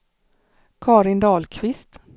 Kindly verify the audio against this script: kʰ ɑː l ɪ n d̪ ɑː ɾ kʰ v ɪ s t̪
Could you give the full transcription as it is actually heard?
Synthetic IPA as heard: kʰ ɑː ɾ ɪ n d̪ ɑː l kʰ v ɪ s t̪